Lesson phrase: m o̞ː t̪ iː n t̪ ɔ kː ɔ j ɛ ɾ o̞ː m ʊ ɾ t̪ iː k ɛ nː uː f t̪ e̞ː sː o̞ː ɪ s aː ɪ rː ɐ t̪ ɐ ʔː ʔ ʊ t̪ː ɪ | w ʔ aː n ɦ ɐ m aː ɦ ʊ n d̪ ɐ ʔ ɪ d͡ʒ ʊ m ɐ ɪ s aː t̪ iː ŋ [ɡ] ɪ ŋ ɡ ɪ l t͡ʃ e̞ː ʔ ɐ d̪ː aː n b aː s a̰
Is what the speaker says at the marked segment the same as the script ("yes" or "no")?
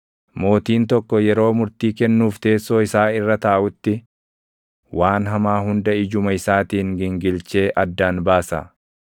yes